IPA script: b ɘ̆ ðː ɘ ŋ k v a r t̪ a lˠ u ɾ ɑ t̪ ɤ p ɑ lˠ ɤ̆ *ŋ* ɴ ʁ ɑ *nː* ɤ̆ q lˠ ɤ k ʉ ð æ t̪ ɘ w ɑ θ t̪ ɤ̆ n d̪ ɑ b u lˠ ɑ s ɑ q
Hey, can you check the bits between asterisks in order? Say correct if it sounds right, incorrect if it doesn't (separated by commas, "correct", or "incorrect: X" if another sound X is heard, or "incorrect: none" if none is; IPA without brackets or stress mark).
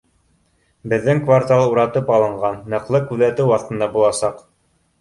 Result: incorrect: none, correct